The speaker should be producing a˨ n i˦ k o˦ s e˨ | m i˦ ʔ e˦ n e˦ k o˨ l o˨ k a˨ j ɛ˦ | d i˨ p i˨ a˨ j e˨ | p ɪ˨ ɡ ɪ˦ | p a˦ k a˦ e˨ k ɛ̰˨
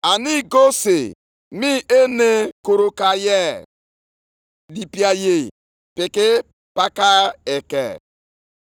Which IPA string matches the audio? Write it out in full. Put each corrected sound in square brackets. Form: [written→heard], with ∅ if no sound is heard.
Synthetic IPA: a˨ n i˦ [k→ɡ] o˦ s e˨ | m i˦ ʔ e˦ n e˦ k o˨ [l→ɾ] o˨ k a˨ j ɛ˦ | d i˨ p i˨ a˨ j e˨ | p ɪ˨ [ɡ→k] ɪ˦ | p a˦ k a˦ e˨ k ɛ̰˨